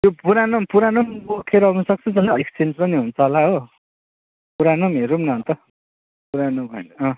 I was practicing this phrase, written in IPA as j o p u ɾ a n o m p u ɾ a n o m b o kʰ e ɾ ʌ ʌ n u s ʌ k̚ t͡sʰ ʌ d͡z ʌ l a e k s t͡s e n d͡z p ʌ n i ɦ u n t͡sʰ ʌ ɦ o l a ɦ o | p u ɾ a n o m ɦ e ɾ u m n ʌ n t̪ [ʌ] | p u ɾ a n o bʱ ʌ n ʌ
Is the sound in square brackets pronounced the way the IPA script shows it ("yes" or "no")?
yes